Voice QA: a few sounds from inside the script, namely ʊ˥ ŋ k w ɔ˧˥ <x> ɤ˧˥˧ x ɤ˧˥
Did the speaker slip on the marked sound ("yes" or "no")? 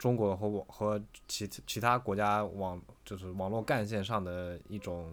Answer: no